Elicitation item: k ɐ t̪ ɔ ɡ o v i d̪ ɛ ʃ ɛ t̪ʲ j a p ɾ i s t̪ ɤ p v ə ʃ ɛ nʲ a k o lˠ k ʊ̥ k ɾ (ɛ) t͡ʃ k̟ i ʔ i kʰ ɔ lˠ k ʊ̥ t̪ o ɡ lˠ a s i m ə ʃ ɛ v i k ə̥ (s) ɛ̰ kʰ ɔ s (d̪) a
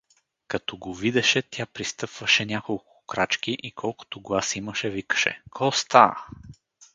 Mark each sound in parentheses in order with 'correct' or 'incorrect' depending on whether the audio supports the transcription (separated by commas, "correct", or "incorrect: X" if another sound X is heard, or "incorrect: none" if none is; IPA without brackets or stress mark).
incorrect: a, incorrect: ʃ, incorrect: t̪